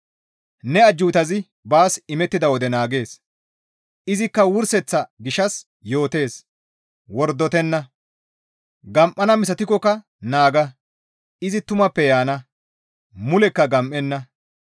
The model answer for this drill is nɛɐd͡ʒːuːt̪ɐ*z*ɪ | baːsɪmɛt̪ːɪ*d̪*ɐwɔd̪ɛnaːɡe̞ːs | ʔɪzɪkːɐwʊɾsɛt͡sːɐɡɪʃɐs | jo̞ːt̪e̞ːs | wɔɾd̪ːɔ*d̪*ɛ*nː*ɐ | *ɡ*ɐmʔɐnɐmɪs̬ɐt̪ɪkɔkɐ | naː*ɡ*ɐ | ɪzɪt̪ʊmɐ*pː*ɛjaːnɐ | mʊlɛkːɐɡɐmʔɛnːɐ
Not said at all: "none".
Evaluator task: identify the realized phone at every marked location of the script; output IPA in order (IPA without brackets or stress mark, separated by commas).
z, d̪, t̪, nː, ɡ, ɡ, pː